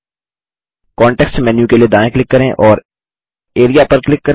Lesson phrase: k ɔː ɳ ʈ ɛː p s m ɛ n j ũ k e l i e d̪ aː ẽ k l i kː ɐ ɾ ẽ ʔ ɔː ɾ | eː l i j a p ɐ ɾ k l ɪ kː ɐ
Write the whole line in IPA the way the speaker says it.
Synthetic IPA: k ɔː ɳ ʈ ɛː k s m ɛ n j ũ k e l i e d̪ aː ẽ k l ɪ kː ɐ ɾ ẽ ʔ ɔː ɾ | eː ɾ i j a p ɐ ɾ k l ɪ kː ɐ